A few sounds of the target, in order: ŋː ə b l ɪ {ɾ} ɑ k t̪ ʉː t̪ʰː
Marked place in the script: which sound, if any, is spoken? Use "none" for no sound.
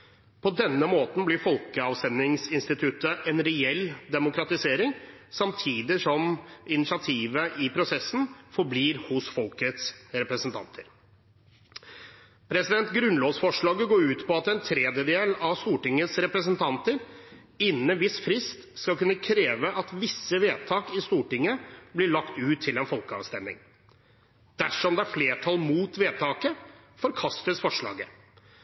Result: ɭ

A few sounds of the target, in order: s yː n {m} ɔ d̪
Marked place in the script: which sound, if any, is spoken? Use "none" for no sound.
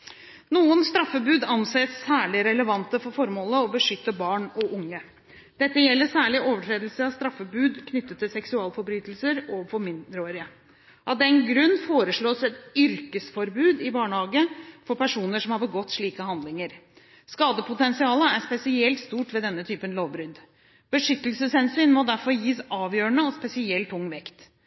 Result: m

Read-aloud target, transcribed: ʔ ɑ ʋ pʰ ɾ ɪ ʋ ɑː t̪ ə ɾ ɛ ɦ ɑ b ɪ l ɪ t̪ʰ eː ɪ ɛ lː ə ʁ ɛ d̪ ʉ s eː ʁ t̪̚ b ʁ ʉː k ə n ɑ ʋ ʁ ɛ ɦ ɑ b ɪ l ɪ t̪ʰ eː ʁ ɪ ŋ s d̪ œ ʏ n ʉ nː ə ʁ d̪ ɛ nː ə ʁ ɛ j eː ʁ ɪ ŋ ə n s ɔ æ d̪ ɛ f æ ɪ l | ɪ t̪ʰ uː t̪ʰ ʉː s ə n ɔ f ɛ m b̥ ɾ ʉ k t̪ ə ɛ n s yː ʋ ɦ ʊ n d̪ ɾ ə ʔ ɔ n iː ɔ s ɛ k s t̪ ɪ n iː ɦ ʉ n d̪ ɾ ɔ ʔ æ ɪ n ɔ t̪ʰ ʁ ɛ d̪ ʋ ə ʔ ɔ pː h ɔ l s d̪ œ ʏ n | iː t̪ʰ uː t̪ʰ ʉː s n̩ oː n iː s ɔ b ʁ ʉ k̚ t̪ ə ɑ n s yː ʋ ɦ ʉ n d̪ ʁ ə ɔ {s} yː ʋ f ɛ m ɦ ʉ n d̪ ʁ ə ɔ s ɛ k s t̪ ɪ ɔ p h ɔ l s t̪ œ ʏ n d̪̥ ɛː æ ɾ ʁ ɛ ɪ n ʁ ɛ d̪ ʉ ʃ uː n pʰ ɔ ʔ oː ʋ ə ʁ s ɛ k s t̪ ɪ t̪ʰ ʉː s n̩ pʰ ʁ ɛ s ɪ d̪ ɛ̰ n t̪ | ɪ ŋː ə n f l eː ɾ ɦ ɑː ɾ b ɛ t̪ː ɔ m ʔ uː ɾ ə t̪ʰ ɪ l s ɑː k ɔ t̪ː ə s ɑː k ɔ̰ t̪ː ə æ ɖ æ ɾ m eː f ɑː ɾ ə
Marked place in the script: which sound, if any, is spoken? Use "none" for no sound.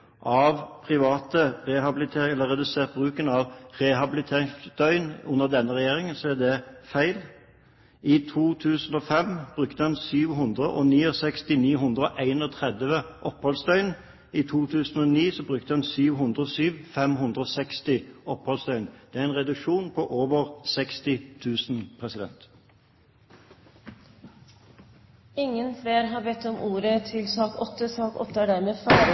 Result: s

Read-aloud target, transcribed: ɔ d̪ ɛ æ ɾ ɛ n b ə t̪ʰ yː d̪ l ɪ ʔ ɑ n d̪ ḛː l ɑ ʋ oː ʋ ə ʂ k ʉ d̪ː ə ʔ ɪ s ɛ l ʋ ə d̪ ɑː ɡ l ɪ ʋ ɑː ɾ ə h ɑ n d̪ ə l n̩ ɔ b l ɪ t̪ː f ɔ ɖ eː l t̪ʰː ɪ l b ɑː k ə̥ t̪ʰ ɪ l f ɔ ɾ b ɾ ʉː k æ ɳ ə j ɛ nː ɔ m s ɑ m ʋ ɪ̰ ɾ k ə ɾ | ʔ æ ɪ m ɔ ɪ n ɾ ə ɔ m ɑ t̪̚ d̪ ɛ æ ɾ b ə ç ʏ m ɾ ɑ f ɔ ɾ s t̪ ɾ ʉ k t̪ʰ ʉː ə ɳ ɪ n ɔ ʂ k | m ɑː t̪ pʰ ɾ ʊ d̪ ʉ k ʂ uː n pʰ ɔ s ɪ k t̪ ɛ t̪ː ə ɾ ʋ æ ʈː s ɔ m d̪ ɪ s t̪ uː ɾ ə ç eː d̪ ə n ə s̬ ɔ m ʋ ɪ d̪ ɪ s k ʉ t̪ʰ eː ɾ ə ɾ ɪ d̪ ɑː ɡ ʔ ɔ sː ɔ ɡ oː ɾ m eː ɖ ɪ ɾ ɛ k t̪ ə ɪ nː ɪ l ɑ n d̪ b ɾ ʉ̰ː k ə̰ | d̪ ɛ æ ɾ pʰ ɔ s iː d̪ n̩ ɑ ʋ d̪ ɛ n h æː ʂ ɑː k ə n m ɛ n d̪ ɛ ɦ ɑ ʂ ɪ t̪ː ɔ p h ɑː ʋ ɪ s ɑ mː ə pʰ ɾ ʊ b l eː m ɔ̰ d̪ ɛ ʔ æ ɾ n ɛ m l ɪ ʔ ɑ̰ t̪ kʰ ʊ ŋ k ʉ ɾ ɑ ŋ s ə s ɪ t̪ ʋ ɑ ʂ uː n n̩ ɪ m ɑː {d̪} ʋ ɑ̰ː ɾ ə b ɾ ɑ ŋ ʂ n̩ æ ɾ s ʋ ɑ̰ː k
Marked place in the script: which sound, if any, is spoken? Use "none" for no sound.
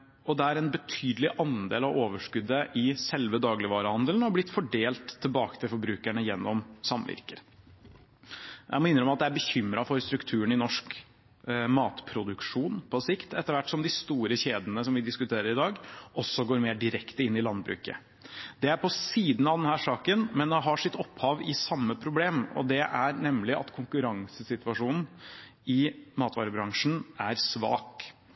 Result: t̪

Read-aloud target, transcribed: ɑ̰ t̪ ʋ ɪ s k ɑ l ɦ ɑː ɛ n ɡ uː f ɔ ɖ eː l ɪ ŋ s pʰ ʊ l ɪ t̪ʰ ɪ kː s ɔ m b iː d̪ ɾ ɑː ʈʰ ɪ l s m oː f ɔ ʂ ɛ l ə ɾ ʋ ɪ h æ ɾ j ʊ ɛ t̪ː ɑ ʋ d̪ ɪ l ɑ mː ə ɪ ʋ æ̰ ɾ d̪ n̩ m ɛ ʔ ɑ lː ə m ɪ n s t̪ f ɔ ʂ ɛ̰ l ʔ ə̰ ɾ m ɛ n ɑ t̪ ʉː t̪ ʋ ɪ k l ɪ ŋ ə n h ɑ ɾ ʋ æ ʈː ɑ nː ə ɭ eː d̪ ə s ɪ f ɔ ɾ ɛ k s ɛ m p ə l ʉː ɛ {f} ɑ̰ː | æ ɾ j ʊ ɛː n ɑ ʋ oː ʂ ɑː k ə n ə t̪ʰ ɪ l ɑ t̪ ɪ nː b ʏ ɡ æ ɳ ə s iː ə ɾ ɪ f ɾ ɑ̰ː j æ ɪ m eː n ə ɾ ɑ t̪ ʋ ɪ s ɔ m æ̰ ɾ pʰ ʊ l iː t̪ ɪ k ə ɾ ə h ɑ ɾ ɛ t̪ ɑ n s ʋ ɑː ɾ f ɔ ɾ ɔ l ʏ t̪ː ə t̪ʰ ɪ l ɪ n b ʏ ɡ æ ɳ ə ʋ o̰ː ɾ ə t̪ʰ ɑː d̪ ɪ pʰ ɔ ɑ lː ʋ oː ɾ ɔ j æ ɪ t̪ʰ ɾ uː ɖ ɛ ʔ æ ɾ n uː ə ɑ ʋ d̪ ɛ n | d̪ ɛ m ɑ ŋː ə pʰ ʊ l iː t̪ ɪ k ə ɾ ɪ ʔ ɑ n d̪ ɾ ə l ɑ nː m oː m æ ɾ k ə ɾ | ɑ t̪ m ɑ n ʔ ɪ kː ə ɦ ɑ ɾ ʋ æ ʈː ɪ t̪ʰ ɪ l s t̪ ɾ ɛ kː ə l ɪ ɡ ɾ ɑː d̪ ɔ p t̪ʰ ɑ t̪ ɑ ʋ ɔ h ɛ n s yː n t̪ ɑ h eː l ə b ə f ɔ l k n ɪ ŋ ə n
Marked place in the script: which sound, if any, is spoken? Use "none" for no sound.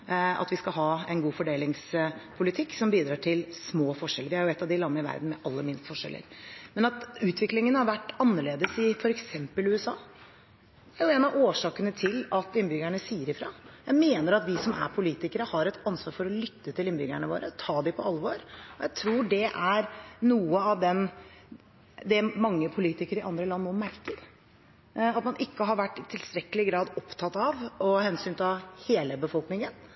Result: s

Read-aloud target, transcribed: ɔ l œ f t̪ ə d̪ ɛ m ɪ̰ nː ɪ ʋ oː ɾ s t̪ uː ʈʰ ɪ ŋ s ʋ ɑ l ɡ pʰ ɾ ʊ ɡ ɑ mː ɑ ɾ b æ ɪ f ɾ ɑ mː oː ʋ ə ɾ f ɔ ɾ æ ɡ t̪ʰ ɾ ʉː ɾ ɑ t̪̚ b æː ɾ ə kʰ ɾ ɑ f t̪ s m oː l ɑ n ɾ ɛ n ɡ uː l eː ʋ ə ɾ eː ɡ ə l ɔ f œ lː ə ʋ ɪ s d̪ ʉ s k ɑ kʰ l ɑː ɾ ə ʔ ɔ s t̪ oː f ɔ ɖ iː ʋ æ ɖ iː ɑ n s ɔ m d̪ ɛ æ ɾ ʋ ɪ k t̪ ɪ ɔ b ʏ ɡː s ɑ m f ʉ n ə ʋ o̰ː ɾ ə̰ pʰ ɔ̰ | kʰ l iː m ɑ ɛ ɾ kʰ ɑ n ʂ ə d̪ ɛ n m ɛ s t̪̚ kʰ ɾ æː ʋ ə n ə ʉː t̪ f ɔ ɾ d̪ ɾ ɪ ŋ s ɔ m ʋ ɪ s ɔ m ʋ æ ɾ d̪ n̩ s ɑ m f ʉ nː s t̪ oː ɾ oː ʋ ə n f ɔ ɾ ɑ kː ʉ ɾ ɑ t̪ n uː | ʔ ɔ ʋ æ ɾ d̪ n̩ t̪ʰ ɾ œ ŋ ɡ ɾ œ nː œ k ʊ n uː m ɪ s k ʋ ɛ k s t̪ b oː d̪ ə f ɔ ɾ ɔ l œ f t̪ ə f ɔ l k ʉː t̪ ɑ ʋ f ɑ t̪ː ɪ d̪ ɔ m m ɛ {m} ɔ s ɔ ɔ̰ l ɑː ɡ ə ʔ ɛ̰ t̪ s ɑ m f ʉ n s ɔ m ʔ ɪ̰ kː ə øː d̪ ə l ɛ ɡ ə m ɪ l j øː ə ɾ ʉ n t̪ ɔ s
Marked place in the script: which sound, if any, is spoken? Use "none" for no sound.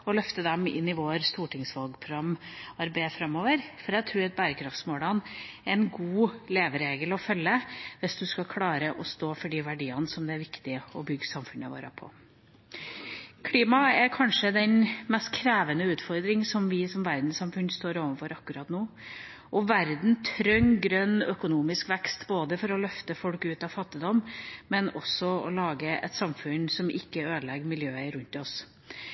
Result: n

